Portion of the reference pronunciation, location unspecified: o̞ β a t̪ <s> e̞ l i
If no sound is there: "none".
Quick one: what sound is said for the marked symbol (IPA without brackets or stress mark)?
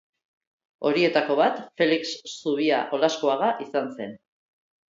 f